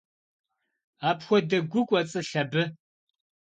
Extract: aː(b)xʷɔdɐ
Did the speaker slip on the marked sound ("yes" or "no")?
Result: yes